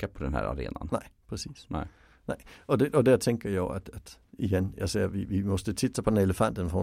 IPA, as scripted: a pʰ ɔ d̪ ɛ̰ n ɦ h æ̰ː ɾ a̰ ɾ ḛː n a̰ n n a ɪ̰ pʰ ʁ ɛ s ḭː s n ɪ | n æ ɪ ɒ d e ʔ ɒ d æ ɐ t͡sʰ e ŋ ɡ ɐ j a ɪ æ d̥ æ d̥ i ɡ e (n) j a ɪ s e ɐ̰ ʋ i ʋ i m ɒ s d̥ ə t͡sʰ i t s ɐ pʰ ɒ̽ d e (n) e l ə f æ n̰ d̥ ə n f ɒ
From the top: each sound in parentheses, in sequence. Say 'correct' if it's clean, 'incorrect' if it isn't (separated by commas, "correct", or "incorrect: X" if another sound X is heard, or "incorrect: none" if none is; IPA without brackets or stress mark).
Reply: correct, correct